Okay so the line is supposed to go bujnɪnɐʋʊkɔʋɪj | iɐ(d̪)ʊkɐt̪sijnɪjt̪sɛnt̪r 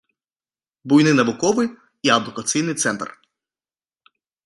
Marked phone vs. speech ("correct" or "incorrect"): correct